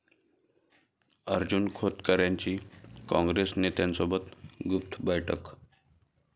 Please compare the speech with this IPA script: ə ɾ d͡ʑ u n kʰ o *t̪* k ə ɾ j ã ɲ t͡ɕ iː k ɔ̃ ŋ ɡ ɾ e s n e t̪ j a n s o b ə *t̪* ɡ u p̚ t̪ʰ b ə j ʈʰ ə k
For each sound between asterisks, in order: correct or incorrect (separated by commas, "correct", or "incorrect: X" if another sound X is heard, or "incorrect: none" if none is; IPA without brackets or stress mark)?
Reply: correct, correct